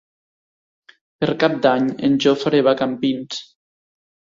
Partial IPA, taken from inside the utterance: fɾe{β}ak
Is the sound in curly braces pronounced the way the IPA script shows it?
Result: yes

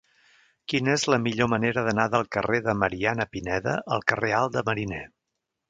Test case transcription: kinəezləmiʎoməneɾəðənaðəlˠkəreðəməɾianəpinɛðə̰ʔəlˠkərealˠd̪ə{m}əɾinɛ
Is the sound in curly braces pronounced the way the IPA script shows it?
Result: yes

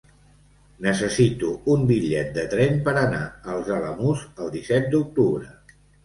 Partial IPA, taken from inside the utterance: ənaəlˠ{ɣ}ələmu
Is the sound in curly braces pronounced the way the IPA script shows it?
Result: no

